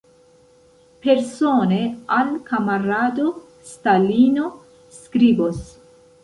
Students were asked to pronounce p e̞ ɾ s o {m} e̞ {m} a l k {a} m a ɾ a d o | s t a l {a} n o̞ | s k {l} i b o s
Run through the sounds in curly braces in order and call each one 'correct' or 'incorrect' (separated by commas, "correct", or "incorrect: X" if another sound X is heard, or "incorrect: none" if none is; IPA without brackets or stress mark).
incorrect: n, incorrect: none, correct, incorrect: i, incorrect: ɾ